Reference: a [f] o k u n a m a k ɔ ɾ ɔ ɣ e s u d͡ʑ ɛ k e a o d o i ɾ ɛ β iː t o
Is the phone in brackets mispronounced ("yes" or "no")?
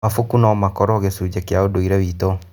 no